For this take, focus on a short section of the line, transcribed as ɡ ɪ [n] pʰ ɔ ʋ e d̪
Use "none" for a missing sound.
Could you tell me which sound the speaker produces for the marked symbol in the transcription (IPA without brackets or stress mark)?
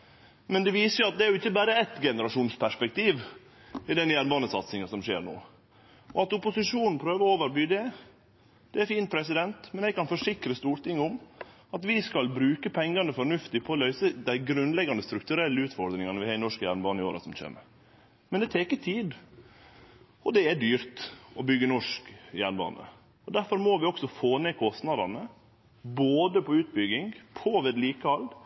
ŋ